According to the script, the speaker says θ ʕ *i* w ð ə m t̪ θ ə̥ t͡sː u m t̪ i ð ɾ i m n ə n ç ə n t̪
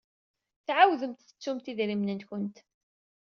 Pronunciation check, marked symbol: incorrect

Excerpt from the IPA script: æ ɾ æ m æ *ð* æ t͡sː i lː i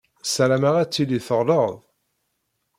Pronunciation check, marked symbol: incorrect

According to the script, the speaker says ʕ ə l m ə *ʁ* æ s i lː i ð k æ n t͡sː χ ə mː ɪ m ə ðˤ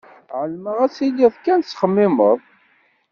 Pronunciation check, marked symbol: correct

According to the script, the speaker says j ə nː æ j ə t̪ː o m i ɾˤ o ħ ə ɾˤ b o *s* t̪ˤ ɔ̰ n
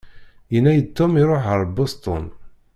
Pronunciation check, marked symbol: correct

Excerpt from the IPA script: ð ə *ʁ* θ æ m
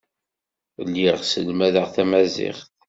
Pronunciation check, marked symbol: correct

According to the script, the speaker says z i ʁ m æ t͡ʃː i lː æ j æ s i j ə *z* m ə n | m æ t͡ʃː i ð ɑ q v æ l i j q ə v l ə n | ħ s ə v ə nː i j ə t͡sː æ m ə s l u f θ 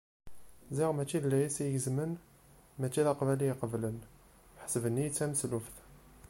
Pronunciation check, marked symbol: correct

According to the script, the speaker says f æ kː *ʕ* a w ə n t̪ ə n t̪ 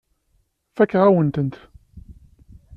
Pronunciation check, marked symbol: incorrect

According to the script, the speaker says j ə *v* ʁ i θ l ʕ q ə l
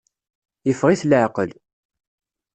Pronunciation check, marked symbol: incorrect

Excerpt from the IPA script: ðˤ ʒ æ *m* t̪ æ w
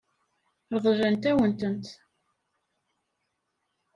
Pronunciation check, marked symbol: incorrect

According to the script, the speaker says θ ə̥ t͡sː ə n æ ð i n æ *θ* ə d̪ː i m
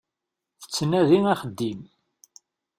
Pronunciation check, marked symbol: incorrect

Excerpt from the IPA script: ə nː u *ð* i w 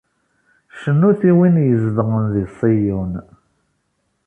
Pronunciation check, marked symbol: incorrect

